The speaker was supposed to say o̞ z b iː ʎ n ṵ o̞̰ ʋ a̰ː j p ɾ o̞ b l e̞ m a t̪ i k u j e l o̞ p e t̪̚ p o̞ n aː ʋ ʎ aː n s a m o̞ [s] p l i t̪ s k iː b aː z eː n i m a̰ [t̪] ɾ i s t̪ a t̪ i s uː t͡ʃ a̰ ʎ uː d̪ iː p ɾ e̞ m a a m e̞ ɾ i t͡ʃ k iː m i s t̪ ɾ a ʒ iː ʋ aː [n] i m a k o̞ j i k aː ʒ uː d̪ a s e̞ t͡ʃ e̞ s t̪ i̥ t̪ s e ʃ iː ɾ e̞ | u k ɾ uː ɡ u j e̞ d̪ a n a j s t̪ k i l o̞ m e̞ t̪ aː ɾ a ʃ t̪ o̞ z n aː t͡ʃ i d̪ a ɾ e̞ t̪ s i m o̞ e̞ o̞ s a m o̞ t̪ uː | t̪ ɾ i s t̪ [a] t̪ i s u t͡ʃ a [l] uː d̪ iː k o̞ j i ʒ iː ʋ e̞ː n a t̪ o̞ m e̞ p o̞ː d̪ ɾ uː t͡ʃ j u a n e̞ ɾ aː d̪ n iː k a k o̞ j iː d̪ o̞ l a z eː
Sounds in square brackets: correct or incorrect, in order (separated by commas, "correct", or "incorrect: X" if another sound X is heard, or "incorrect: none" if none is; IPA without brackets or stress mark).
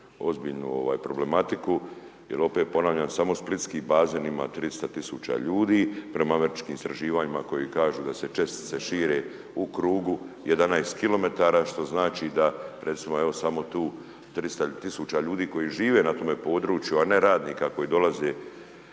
correct, correct, incorrect: ɲ, correct, incorrect: ʎ